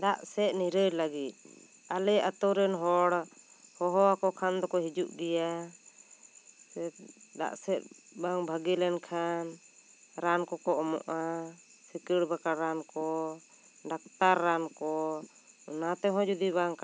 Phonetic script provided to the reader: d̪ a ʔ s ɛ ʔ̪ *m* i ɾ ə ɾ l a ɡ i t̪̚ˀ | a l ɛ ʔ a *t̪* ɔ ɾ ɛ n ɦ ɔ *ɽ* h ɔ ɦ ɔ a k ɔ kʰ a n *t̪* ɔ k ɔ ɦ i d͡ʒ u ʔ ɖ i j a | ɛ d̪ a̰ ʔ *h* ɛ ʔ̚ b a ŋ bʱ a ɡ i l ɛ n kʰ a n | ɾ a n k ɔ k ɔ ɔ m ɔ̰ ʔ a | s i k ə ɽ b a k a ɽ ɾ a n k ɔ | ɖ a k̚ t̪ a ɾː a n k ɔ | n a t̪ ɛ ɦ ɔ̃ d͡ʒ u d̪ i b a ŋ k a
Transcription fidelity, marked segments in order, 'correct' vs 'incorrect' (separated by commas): incorrect, correct, correct, incorrect, incorrect